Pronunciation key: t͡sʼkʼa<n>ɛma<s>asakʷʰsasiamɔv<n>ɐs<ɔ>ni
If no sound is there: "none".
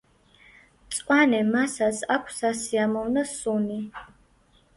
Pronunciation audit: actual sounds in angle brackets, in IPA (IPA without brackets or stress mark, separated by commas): n, s, n, u